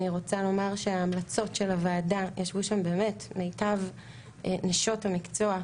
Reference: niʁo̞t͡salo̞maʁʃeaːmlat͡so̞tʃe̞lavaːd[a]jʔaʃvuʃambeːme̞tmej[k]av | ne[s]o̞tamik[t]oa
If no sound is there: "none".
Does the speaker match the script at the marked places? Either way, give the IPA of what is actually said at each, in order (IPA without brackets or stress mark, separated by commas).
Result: a, t, ʃ, t͡s